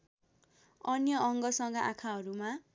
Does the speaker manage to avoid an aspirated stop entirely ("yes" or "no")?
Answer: no